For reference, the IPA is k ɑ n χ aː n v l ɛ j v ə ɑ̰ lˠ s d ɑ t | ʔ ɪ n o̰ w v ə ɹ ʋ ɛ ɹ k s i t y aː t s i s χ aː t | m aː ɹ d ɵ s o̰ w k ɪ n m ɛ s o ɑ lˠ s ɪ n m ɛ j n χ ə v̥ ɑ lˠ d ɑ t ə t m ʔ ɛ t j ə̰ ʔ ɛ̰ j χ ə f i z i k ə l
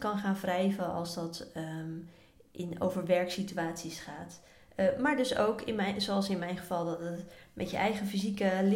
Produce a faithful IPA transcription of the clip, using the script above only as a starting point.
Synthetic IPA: k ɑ n χ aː n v r ɛ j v ə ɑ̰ lˠ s d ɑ t | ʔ ɪ n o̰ w v ə ɹ ʋ ɛ ɹ k s i t y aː t s i s χ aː t | m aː ɹ d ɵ s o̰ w k ɪ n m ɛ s o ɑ lˠ s ɪ n m ɛ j n χ ə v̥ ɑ lˠ d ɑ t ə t m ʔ ɛ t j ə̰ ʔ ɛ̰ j χ ə f i z i k ə l